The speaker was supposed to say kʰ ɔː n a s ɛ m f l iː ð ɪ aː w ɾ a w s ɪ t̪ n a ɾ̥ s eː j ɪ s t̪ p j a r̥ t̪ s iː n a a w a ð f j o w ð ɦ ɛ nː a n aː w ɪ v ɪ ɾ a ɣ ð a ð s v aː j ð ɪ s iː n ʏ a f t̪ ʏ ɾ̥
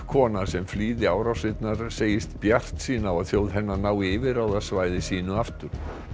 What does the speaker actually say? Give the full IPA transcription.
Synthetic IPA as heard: kʰ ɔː n a s ɛ m f l iː ð ɪ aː w ɾ a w s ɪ t̪ n a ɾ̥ s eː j ɪ s t̪ p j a r̥ t̪ s iː n a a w a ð θ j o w ð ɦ ɛ nː a n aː w ɪ v ɪ ɾ a w ð a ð s v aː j ð ɪ s iː n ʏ a f t̪ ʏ ɾ̥